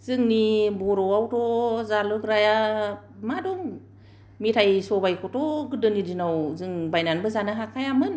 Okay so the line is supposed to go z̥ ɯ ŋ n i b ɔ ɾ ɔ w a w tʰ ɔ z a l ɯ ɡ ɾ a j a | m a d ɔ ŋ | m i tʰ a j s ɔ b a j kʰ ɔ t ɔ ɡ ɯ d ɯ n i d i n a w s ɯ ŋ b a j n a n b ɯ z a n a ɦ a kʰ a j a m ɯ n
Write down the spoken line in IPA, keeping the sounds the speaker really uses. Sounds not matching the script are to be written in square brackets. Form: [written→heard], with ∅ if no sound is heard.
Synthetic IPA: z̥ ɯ ŋ n i b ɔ ɾ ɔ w a w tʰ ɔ z a l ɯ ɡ ɾ a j a | m a d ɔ ŋ | m i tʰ a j s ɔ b a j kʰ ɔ t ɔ ɡ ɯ d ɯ n i d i n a w [s→z] ɯ ŋ b a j n a n b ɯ z a n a ɦ a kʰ a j a m ɯ n